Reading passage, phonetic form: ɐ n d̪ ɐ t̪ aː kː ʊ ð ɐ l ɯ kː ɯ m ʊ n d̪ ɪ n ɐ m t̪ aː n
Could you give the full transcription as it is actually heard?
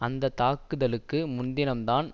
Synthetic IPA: ɐ n d̪ ɐ t̪ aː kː ɯ ð ɐ l ɯ kː ɯ m ʊ n d̪ ɪ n ɐ m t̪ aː n